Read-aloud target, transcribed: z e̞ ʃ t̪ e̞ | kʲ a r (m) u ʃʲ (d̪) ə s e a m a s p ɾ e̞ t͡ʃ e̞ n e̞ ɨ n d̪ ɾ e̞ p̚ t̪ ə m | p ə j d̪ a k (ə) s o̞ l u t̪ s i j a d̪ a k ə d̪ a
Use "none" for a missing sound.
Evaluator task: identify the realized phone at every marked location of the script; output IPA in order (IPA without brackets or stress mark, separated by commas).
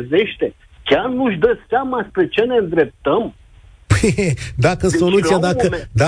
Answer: n, d̪, ə